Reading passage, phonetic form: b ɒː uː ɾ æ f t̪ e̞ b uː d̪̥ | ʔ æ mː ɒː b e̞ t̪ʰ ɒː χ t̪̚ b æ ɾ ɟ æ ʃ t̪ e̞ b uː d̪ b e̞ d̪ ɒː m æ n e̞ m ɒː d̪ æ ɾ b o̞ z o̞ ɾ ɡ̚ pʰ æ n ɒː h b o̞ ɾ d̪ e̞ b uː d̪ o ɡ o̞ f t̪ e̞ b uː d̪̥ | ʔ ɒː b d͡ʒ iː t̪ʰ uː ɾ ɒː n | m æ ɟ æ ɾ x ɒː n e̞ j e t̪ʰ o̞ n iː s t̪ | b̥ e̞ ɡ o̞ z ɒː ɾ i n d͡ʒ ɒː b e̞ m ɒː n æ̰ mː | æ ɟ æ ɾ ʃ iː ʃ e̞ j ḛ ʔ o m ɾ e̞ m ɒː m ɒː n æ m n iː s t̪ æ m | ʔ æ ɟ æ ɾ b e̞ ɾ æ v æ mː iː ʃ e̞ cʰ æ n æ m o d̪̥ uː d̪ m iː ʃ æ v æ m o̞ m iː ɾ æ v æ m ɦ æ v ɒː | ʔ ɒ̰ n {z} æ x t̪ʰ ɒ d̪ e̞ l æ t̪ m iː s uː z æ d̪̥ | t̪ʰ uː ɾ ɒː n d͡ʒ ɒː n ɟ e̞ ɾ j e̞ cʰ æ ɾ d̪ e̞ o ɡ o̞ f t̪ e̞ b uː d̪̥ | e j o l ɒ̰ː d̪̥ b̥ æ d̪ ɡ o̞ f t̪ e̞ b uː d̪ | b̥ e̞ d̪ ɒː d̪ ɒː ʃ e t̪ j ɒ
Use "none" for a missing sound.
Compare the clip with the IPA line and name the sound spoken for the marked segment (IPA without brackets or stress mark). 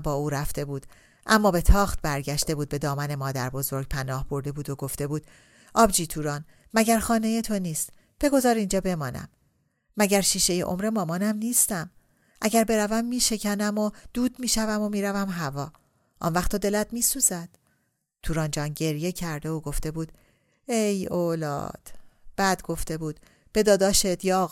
v